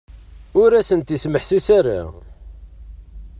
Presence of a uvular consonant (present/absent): absent